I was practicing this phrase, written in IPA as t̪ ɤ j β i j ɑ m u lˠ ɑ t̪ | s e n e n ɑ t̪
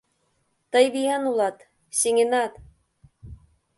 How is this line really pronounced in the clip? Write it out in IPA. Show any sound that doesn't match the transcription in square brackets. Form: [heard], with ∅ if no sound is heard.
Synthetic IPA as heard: t̪ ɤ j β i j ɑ [n] u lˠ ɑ t̪ | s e [ŋ] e n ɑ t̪

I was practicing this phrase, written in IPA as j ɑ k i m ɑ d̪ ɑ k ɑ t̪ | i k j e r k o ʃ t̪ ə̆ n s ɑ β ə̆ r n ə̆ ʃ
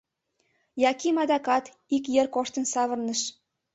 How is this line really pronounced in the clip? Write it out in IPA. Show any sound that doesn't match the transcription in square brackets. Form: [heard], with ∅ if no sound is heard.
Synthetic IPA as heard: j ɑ k i m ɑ d̪ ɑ k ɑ t̪ | i k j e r k o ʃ t̪ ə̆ n s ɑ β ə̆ r n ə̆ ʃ

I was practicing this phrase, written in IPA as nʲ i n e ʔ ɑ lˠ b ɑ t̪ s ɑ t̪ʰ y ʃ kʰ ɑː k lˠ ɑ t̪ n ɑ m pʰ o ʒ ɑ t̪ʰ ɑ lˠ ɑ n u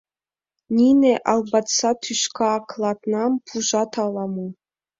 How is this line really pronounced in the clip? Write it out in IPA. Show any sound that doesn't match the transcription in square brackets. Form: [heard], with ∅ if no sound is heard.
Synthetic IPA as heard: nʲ i n e ʔ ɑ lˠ b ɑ t̪ s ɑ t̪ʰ y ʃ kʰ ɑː k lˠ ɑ t̪ n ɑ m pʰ [u] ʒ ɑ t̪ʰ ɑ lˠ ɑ [m] u

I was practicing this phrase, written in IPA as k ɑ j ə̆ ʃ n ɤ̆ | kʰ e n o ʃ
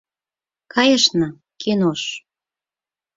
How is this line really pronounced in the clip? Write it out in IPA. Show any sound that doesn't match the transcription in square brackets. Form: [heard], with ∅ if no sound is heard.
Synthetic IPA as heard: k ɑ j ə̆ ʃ n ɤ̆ | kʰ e n o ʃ

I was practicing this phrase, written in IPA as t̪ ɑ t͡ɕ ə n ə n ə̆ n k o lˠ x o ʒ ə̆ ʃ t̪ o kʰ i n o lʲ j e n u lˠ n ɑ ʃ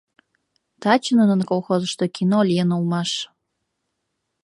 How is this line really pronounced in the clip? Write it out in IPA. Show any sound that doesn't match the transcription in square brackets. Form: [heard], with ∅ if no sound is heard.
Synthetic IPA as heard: t̪ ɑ t͡ɕ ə n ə n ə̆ n k o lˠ x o [z] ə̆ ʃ t̪ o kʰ i n o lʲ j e n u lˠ [m] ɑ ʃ

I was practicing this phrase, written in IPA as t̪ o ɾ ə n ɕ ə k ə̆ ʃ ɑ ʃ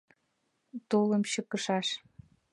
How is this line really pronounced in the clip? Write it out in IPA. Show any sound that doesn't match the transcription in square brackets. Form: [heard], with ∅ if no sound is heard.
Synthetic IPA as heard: t̪ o [l] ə [m] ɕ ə k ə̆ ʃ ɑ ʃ

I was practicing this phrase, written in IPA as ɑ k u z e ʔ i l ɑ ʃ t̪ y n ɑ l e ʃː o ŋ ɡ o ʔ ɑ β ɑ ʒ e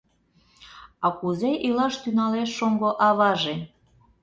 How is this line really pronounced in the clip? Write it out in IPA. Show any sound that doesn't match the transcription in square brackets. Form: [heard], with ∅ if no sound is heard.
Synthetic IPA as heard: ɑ k u z e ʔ i l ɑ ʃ t̪ y n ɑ l e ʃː o ŋ ɡ o ʔ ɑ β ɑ ʒ e

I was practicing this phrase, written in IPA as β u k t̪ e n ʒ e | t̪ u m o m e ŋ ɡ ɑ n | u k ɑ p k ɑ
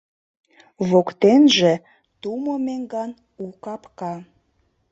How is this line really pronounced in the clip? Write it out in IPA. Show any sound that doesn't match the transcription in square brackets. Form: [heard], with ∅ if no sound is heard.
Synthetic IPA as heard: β [o] k t̪ e n ʒ e | t̪ u m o m e ŋ ɡ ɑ n | u k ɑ p k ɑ

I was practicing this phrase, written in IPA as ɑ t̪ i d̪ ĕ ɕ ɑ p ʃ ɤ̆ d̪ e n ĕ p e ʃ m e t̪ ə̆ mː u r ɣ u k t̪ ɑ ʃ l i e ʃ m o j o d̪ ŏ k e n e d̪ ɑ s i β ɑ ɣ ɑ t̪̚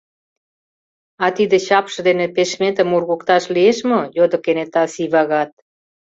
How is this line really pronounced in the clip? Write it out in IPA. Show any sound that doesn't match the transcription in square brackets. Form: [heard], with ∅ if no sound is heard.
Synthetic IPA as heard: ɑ t̪ i d̪ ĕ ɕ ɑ p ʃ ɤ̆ d̪ e n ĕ p e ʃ m e t̪ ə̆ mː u r ɣ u k t̪ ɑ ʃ l i e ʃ m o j o d̪ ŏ k e n e [t̪] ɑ s i β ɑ ɣ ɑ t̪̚

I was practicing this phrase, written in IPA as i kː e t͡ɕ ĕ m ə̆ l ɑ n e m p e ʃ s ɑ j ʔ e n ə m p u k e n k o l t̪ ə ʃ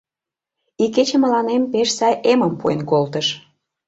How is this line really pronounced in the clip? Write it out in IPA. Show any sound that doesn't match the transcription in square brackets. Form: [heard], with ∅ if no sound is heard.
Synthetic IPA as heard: i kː e t͡ɕ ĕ m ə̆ l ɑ n e m p e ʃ s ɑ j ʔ e [m] ə m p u [∅] e n k o l t̪ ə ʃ

